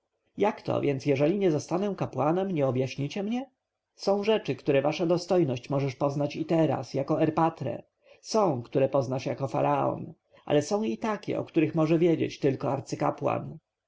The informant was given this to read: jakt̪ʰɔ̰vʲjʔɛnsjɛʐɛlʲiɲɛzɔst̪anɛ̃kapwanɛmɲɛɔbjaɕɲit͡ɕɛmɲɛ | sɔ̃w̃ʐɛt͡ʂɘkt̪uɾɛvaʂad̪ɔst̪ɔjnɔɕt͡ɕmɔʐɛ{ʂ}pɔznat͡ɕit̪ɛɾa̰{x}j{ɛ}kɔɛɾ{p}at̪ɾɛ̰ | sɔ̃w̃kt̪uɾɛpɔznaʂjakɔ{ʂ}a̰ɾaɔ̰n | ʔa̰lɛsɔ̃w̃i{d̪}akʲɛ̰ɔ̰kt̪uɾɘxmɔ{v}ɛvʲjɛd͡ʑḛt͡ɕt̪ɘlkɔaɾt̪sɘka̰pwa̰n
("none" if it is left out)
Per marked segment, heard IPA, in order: ʂ, s, a, p, f, t̪, ʐ

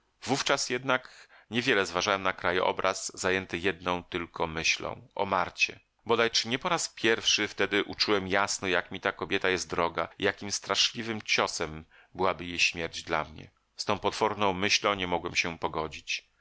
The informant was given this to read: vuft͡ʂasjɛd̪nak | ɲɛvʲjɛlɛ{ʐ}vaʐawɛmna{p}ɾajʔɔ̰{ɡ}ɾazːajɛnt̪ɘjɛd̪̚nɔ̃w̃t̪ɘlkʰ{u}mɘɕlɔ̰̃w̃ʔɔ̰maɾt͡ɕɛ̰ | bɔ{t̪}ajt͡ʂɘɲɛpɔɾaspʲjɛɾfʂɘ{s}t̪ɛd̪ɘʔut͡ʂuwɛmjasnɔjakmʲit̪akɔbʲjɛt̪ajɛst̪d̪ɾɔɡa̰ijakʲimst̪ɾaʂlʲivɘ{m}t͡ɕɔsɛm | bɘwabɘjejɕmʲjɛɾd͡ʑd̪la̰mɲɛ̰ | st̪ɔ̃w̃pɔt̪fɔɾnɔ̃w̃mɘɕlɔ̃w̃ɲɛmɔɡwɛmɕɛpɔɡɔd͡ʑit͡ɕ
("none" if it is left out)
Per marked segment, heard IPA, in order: z, k, b, ɔ, d̪, f, m

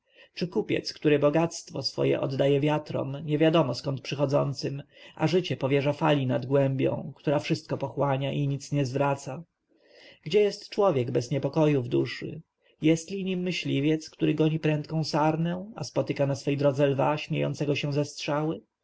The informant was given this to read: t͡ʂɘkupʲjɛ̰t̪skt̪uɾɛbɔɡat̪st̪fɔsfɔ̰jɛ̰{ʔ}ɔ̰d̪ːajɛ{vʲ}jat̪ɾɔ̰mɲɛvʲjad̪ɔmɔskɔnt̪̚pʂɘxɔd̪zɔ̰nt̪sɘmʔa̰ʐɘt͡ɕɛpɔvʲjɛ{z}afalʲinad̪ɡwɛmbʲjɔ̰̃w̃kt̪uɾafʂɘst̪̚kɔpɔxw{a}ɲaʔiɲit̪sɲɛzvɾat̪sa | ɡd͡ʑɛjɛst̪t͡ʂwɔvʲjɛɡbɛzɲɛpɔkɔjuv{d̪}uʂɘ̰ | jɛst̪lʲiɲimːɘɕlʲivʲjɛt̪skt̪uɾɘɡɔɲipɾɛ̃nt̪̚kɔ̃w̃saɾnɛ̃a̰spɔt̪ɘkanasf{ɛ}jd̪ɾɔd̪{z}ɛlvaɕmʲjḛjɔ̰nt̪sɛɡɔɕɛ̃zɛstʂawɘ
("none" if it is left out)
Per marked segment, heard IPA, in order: ʔ, vʲ, ʐ, a, d̪, ɛ, z

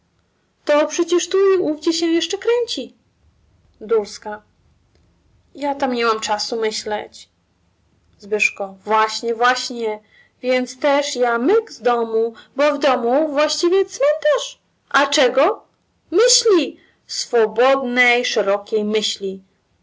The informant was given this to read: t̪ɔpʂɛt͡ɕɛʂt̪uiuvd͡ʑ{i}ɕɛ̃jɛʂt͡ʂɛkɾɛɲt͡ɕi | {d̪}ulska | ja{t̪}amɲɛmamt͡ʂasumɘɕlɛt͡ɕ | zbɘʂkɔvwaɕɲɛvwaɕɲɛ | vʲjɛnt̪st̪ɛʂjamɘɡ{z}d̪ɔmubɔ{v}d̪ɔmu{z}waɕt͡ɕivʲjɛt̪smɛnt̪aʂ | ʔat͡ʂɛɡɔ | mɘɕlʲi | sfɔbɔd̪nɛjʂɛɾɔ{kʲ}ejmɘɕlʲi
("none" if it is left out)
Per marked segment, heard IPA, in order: ɛ, d̪, t̪, z, v, v, kʲ

